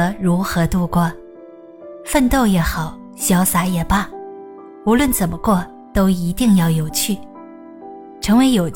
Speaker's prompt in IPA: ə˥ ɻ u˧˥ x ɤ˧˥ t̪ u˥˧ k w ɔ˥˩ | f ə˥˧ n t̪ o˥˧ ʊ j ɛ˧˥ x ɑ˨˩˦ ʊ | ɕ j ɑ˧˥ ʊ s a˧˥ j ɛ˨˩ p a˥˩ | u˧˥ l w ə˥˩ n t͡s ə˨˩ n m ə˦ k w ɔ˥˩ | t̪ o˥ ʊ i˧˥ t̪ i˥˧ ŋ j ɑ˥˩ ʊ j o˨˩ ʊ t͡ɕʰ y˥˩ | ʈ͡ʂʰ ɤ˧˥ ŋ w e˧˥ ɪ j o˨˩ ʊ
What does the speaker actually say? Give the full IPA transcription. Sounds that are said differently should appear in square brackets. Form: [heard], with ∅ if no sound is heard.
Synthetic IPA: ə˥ ɻ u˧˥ x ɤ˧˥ t̪ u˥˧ k w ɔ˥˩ | f ə˥˧ n t̪ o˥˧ ʊ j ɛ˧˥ x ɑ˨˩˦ ʊ | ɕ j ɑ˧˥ ʊ s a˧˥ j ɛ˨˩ p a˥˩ | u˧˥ l w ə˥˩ n t͡s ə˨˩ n m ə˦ k w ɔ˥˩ | t̪ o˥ ʊ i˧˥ t̪ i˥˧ ŋ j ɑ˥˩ ʊ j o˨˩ ʊ t͡ɕʰ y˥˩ | ʈ͡ʂʰ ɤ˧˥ ŋ w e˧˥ ɪ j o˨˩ ʊ